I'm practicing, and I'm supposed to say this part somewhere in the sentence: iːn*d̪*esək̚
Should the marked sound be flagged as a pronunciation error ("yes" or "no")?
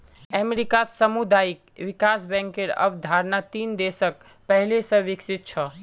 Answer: no